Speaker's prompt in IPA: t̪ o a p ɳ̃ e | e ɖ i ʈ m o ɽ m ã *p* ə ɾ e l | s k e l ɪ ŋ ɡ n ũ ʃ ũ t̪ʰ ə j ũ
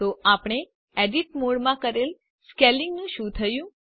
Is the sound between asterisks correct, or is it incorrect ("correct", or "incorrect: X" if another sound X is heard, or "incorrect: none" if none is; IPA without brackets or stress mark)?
incorrect: k